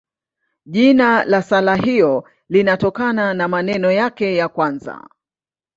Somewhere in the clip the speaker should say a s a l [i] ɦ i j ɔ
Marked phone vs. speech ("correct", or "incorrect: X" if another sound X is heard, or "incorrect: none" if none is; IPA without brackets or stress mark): incorrect: a